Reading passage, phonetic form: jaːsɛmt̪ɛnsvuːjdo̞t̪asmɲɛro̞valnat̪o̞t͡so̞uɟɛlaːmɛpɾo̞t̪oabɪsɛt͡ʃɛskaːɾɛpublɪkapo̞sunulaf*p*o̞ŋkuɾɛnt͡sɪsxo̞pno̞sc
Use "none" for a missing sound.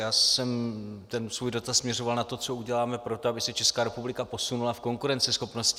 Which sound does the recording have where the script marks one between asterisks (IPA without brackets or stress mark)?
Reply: k